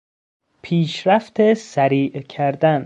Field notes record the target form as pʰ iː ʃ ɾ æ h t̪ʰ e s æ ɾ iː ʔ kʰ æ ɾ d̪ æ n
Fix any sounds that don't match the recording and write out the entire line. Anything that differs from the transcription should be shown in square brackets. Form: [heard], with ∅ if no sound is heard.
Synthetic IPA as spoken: pʰ iː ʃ ɾ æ [f] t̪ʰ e s æ ɾ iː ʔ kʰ æ ɾ d̪ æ n

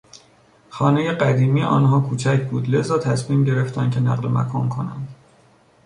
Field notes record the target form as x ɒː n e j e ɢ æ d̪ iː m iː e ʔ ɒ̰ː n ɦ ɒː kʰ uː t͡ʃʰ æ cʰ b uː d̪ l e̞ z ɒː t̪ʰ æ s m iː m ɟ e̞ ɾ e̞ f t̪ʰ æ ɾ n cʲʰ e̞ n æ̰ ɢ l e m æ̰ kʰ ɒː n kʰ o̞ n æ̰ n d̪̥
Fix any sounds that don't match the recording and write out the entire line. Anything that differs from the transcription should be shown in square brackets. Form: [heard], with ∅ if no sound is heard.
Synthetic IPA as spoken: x ɒː n e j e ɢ æ d̪ iː m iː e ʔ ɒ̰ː n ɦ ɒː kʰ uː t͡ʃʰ æ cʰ b uː d̪ l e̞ z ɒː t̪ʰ æ s m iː m ɟ e̞ ɾ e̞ f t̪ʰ æ [∅] n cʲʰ e̞ n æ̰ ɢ l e m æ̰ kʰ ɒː n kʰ o̞ n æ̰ n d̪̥

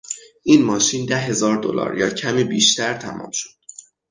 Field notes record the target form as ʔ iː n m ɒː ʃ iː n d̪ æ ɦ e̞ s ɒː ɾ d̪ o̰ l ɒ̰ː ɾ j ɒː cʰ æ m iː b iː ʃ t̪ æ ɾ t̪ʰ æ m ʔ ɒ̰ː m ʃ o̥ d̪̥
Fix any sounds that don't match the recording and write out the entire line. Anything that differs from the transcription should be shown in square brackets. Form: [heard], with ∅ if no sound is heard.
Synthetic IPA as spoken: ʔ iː n m ɒː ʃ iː n d̪ æ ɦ e̞ [z] ɒː ɾ d̪ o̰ l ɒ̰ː ɾ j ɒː cʰ æ m iː b iː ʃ t̪ æ ɾ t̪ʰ æ m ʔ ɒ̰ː m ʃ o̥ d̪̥

